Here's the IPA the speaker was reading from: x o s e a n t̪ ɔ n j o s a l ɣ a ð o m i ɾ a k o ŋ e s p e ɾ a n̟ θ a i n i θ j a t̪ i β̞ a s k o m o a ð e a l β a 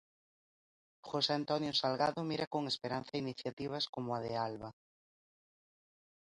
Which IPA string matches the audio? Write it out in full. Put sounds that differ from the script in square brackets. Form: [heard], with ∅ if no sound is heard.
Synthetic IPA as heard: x o s e a n t̪ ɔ n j o s a l ɣ a ð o m i ɾ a k o ŋ e s p e ɾ a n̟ θ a i n i θ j a t̪ i β̞ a s k o m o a ð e a l β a